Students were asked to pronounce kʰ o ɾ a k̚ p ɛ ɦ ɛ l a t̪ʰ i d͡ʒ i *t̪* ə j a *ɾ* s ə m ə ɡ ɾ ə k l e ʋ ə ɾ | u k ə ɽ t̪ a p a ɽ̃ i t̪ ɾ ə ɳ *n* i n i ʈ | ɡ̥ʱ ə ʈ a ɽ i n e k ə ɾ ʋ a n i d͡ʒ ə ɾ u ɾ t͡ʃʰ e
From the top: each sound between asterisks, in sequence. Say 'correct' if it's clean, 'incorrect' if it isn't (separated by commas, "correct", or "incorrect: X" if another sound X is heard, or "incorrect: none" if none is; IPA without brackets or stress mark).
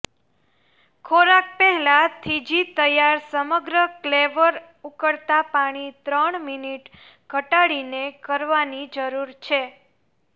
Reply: correct, correct, incorrect: m